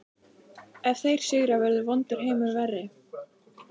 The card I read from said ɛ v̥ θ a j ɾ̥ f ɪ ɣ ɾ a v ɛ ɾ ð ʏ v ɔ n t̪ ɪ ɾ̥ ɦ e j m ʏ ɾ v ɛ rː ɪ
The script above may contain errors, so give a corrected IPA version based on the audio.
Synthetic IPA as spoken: ɛ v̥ θ e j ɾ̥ s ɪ ɣ ɾ a v ɛ ɾ ð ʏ v ɔ n t̪ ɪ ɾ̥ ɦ e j m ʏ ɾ v ɛ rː ɪ